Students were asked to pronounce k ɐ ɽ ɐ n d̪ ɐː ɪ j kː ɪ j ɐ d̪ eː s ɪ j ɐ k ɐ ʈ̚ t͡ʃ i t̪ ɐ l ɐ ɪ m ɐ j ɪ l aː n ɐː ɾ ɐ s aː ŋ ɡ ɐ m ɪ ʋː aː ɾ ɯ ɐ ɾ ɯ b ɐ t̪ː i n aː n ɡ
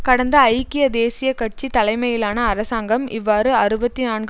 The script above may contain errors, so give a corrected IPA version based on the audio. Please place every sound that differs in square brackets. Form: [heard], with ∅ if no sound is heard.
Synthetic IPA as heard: k ɐ ɽ ɐ n d̪ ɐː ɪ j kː ɪ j ɐ d̪ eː s ɪ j ɐ k ɐ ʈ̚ t͡ʃ i t̪ ɐ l ɐ ɪ m ɐ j ɪ l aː n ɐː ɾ ɐ s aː ŋ ɡ ɐ m ɪ ʋː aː ɾ ɯ ɐ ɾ ɯ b ɐ t̪ː i n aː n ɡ